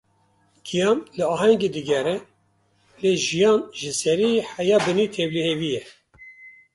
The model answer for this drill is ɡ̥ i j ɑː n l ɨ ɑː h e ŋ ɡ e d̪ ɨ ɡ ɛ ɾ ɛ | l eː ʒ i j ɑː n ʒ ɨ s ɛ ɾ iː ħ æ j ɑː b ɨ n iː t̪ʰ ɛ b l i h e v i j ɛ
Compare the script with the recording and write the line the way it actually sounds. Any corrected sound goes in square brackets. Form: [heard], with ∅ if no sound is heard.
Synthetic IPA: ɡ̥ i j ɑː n l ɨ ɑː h [ɛ] ŋ ɡ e d̪ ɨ ɡ ɛ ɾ ɛ | l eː ʒ i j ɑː n ʒ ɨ s ɛ ɾ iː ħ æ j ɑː b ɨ n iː t̪ʰ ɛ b l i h e v i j ɛ